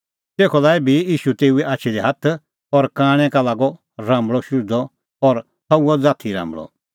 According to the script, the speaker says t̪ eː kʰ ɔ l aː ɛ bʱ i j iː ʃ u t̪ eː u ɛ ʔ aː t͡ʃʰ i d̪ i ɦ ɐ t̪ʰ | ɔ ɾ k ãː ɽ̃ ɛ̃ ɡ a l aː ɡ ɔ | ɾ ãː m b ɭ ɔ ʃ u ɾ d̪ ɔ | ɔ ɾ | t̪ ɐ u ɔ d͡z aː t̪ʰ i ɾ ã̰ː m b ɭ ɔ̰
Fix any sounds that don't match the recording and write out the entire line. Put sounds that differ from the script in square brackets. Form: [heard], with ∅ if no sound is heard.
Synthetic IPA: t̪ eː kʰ ɔ l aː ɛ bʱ i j iː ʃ u t̪ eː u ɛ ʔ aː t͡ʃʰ i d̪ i ɦ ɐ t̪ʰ | ɔ ɾ k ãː ɽ̃ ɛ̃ [k] a l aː ɡ ɔ | ɾ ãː m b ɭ ɔ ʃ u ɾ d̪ ɔ | ɔ ɾ | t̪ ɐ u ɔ d͡z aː t̪ʰ i ɾ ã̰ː m b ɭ ɔ̰